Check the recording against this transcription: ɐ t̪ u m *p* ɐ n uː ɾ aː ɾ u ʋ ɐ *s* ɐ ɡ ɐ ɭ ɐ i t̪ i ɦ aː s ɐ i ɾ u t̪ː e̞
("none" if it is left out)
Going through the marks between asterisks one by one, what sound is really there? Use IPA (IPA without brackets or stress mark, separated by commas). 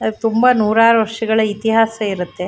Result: b, ʂ